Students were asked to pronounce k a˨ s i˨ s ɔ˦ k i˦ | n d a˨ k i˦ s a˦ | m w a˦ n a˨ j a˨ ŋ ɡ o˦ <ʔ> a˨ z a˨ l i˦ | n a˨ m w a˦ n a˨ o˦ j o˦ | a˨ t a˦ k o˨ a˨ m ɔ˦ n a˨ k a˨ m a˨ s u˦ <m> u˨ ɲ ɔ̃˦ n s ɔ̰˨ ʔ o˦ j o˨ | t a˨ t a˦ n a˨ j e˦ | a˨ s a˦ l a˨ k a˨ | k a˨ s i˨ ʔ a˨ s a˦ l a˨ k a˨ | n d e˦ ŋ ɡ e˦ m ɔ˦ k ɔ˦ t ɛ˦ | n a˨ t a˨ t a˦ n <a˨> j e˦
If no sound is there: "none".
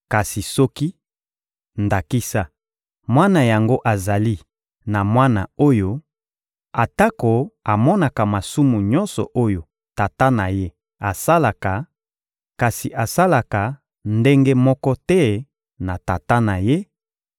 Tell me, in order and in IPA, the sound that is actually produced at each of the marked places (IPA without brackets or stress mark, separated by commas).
ʔ, m, a˨